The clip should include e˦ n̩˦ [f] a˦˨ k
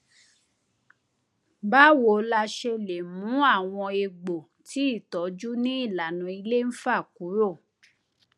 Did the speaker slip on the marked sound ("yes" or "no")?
no